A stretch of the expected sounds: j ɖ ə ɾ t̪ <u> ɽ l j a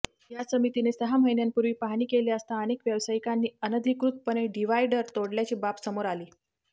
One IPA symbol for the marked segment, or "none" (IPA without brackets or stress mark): o